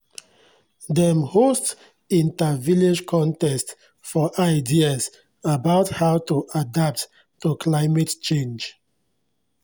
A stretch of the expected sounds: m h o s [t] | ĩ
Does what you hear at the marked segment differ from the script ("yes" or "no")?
no